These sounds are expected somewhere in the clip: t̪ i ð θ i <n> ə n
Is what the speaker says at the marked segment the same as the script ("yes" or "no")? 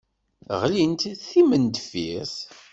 no